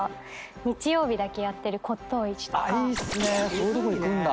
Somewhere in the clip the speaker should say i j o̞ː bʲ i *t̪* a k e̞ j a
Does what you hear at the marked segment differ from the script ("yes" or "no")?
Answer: yes